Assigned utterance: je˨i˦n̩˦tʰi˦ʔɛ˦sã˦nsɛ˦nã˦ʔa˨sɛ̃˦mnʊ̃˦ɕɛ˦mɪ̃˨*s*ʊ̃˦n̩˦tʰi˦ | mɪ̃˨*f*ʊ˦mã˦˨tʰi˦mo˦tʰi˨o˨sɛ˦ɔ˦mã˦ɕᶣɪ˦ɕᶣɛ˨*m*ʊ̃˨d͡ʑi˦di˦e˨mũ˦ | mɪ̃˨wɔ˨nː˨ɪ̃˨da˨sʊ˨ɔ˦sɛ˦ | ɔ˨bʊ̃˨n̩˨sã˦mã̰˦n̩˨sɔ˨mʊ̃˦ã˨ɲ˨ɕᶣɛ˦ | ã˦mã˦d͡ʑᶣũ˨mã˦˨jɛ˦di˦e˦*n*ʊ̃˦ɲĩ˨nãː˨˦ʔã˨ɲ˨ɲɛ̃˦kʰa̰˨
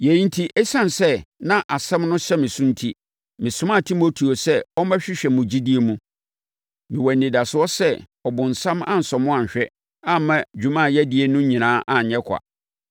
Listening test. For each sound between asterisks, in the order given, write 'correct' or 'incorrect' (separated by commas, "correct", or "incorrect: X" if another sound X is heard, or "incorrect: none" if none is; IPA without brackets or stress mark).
correct, incorrect: s, correct, correct